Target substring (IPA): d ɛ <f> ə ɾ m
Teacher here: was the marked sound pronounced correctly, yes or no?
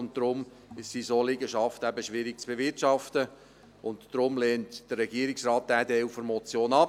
yes